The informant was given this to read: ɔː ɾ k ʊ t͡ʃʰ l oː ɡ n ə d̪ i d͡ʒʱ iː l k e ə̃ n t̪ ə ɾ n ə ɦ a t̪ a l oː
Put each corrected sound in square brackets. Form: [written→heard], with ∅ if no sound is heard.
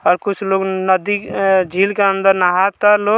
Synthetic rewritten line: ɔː ɾ k ʊ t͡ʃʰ l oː ɡ n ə d̪ i d͡ʒʱ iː l k e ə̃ n [t̪→d̪] ə ɾ n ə ɦ a t̪ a l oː